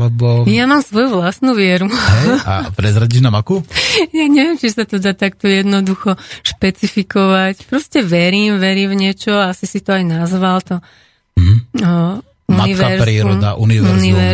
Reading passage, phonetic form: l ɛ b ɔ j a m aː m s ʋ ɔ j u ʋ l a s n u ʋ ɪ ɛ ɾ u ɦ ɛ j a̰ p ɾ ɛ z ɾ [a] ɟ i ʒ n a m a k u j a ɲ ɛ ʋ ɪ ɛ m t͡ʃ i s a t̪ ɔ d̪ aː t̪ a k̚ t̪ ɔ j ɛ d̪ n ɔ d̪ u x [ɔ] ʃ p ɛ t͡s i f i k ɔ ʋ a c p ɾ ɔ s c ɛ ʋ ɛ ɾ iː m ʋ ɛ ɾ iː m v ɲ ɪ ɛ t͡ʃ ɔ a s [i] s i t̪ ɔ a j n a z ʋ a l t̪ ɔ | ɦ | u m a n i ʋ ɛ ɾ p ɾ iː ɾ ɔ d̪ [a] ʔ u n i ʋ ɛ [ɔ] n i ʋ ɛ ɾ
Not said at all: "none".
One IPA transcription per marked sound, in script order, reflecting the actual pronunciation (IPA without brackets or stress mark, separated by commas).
a, ɔ, i, a, u